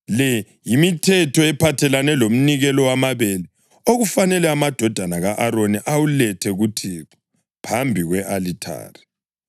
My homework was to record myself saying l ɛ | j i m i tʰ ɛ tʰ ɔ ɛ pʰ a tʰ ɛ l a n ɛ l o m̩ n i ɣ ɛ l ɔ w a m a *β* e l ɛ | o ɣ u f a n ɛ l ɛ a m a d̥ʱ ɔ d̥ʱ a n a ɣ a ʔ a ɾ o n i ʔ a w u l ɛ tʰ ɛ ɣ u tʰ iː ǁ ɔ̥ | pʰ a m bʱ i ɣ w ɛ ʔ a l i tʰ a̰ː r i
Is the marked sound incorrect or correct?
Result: correct